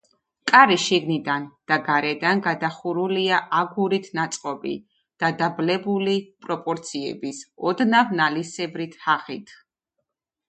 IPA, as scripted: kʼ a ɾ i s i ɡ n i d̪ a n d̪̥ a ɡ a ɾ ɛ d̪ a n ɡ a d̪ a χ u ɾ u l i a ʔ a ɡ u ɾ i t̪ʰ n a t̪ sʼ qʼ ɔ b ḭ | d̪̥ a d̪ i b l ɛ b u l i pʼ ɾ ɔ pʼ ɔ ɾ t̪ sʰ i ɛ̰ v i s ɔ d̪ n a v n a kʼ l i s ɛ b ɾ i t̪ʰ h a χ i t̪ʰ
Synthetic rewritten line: kʼ a ɾ i ʃ i ɡ n i d̪ a n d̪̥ a ɡ a ɾ ɛ d̪ a n ɡ a d̪ a χ u ɾ u l i a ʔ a ɡ u ɾ i t̪ʰ n a t̪ sʼ qʼ ɔ b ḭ | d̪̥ a d̪ a b l ɛ b u l i pʼ ɾ ɔ pʼ ɔ ɾ t̪ sʰ i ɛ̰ b i s ɔ d̪ n a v n a l i s ɛ b ɾ i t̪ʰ h a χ i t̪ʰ